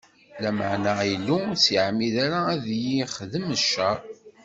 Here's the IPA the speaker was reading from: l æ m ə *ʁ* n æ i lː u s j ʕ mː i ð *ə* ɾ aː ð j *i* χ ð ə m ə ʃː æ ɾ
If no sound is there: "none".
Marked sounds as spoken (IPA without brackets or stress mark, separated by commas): ʕ, a, i